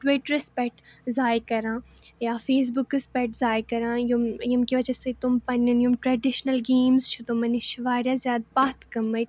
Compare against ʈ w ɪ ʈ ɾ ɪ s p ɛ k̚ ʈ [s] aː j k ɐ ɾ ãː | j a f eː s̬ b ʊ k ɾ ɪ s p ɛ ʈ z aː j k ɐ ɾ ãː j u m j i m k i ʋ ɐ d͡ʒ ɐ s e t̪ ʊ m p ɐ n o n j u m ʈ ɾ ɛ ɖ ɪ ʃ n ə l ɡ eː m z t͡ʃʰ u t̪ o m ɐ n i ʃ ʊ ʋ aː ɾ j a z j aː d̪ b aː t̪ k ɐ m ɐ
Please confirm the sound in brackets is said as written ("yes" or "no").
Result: no